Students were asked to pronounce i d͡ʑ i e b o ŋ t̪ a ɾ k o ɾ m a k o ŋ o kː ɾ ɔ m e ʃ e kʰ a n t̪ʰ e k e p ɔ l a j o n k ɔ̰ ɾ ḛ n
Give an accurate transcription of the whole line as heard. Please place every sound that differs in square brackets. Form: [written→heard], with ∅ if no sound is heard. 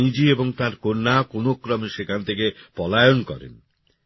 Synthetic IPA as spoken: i d͡ʑ i e b o ŋ t̪ a ɾ k o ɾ [m→n] a k o [ŋ→n] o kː ɾ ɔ m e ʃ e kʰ a n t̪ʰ e k e p ɔ l a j o n k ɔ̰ ɾ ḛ n